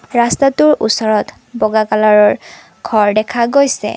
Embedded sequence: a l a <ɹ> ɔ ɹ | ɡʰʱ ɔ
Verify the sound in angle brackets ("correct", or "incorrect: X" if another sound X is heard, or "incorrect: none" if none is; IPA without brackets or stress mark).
correct